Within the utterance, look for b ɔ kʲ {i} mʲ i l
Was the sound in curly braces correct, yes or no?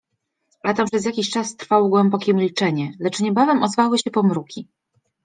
no